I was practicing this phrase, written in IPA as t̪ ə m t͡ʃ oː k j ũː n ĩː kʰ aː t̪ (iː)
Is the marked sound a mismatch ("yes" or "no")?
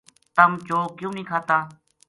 yes